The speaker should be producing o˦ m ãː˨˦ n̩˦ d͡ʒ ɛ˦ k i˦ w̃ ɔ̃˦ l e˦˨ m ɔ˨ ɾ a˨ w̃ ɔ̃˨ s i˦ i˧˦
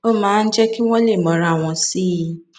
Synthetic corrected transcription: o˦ m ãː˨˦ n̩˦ d͡ʒ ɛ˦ k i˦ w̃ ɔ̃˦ l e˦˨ m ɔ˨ ɾ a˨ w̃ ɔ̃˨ s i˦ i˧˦